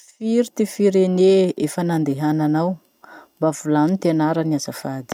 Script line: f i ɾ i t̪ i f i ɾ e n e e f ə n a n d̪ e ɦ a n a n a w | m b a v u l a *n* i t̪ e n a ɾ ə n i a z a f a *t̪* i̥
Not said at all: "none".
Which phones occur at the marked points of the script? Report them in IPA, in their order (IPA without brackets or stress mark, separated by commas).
n, d̪